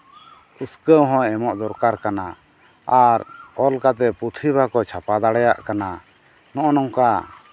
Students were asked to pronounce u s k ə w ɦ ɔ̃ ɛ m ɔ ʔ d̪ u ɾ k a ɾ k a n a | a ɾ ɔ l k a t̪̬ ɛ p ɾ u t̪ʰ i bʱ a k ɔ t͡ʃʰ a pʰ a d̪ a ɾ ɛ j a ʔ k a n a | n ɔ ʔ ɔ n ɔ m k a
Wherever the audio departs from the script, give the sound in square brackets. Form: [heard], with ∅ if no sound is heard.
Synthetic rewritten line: u s k ə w ɦ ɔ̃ ɛ m ɔ ʔ d̪ [ɔ] ɾ k a ɾ k a n a | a ɾ ɔ l k a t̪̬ ɛ p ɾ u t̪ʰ i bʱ a k ɔ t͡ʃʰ a [p] a d̪ a [ɽ] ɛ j a ʔ k a n a | n ɔ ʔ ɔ n ɔ [ŋ] k a